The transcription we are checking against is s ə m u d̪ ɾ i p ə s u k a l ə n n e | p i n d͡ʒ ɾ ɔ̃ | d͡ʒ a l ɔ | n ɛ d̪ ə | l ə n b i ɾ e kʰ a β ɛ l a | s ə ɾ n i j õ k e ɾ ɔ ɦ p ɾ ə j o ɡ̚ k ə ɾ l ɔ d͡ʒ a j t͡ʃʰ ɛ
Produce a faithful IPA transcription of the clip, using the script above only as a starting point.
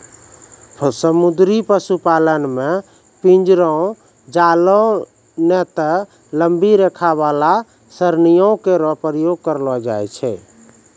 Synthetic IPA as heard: s ə m u d̪ ɾ i p ə s u p a l ə n m e | p i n d͡ʒ ɾ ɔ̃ | d͡ʒ a l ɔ | n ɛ t̪ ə | l ə m b i ɾ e kʰ a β a l a | s ə ɾ n i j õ k e ɾ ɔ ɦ p ɾ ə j o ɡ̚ k ə ɾ l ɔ d͡ʒ a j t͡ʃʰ ɛ